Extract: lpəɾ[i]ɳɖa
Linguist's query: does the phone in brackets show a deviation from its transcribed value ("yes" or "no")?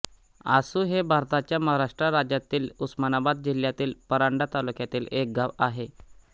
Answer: yes